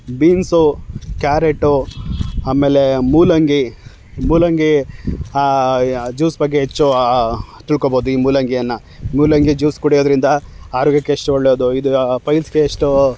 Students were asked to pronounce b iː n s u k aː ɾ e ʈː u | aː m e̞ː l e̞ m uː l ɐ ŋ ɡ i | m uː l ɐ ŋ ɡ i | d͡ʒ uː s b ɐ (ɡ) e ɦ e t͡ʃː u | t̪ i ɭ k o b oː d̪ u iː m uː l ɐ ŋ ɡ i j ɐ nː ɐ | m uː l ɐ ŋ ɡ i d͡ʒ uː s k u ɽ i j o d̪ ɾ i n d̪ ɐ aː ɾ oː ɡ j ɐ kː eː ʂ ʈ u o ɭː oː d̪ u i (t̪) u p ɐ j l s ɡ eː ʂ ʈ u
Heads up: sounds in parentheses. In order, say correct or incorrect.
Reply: incorrect: ɡː, incorrect: d̪

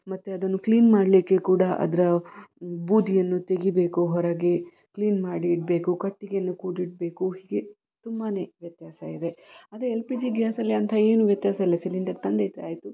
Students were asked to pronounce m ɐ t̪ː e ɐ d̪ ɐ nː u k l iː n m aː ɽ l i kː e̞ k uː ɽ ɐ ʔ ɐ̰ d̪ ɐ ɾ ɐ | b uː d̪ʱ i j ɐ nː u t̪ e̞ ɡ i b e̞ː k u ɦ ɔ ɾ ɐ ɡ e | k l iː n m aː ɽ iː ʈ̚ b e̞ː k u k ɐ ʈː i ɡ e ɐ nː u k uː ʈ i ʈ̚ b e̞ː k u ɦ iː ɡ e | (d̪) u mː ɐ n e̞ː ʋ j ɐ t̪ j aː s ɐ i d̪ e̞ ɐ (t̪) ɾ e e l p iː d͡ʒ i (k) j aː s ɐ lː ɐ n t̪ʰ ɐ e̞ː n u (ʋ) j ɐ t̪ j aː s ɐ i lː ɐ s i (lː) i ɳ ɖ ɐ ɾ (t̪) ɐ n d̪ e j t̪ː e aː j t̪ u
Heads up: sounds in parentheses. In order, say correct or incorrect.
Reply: incorrect: t̪, incorrect: d̪, incorrect: ɡ, correct, incorrect: l, correct

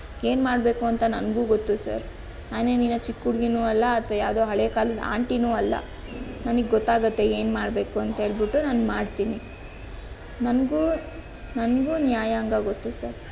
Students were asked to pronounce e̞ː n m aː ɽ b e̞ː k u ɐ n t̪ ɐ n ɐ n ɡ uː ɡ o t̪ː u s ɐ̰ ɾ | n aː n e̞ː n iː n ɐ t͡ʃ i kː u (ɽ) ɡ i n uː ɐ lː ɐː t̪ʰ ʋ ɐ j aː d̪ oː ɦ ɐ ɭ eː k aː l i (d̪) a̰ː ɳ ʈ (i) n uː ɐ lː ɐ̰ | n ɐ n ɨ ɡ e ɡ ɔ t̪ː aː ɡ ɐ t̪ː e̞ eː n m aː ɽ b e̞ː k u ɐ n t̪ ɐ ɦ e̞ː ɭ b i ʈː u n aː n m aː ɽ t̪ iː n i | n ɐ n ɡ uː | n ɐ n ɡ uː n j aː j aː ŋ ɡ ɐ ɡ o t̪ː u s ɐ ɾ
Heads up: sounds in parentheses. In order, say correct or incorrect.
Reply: correct, correct, correct

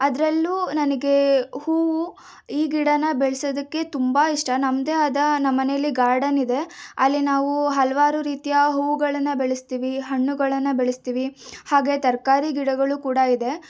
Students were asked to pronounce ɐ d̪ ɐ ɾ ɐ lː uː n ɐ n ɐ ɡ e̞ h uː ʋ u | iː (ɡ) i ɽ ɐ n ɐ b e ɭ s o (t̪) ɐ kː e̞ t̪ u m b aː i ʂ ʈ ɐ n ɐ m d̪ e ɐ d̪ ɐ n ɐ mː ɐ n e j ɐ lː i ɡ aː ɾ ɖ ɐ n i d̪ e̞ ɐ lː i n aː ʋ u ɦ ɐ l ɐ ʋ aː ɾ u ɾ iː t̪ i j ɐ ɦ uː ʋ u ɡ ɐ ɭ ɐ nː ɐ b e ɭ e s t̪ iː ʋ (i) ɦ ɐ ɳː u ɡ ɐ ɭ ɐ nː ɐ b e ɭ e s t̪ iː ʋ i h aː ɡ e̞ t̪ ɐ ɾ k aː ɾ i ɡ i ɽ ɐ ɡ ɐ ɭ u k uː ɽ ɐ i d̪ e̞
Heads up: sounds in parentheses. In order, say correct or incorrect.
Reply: correct, incorrect: d̪, correct

